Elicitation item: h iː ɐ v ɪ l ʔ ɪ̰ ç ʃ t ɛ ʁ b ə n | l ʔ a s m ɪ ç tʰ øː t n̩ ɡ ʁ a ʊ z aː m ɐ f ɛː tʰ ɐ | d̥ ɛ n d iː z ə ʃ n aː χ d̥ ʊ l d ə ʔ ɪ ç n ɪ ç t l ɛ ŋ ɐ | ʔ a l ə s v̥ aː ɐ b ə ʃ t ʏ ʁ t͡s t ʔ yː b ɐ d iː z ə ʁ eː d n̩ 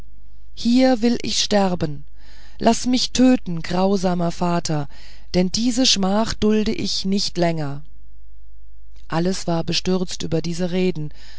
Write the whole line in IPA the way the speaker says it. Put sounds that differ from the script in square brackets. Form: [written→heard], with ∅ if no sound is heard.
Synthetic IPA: h iː ɐ v ɪ l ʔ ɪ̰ ç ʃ t ɛ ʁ b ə n | l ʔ a s m ɪ ç tʰ øː t n̩ ɡ ʁ a ʊ z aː m ɐ f [ɛː→aː] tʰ ɐ | d̥ ɛ n d iː z ə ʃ [n→m] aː χ d̥ ʊ l d ə ʔ ɪ ç n ɪ ç t l ɛ ŋ ɐ | ʔ a l ə s v̥ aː ɐ b ə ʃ t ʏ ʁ t͡s t ʔ yː b ɐ d iː z ə ʁ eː d n̩